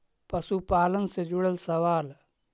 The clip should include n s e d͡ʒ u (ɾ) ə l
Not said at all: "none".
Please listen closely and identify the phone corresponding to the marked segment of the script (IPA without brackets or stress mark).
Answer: ɽ